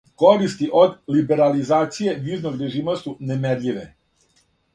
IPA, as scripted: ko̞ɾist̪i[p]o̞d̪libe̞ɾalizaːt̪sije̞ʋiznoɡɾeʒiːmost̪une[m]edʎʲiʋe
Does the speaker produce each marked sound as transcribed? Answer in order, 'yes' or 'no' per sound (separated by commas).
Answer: no, yes